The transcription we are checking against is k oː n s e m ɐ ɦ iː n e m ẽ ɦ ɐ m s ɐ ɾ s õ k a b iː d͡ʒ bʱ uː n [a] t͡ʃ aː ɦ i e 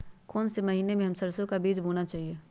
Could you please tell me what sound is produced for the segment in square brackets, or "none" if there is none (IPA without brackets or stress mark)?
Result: a